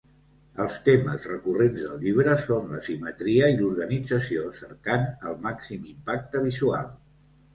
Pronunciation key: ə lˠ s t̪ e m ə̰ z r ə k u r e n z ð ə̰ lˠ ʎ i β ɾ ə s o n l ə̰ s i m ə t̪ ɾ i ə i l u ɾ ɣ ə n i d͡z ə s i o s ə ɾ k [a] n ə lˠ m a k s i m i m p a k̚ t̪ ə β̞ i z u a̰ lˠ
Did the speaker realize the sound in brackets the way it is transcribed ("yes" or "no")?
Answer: yes